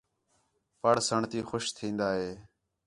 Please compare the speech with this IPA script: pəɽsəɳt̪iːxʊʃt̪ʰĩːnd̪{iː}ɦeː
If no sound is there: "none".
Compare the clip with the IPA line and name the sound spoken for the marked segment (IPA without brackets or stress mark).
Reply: aː